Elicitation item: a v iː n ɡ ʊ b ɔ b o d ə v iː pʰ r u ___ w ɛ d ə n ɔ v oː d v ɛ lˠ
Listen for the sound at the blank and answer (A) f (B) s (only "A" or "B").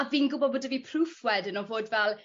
A